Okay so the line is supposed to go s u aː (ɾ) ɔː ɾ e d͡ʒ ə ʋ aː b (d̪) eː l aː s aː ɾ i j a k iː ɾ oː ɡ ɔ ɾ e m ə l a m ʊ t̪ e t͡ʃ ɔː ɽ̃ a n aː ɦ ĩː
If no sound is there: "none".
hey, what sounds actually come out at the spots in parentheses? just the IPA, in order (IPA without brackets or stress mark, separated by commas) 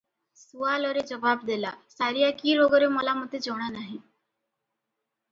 l, d̪